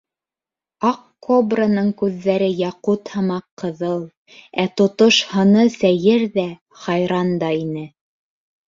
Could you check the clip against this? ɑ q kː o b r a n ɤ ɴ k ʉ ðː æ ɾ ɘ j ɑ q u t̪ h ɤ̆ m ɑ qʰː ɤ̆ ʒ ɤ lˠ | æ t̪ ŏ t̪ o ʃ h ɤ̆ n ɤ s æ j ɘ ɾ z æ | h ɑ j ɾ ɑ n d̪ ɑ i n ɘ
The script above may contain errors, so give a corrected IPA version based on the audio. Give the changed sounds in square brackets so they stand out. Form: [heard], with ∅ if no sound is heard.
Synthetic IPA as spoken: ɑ q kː o b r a n ɤ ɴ k ʉ ðː æ ɾ ɘ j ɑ q u t̪ h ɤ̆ m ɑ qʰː ɤ̆ [ð] ɤ lˠ | æ t̪ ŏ t̪ o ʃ h ɤ̆ n ɤ s æ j ɘ ɾ [ð] æ | [χ] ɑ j ɾ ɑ n d̪ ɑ i n ɘ